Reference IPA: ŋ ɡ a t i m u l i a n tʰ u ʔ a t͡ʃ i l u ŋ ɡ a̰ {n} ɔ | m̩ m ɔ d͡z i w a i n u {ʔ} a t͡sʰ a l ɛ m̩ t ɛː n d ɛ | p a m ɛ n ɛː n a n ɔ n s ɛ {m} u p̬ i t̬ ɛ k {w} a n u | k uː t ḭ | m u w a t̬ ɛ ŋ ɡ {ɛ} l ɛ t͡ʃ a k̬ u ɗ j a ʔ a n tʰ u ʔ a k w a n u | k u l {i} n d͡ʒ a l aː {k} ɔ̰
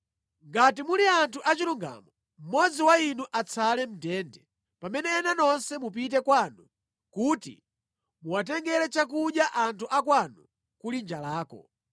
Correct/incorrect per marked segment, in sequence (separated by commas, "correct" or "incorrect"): incorrect, correct, correct, correct, correct, correct, correct